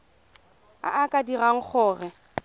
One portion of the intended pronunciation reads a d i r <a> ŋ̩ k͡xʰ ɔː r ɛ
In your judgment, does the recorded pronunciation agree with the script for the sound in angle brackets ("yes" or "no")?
yes